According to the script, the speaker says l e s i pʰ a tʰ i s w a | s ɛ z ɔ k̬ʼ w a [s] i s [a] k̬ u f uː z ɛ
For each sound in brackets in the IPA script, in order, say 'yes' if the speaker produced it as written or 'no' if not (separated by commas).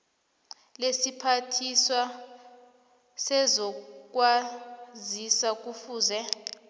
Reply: no, yes